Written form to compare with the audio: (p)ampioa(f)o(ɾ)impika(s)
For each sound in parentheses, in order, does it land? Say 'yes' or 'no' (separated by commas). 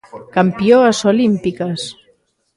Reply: no, no, no, yes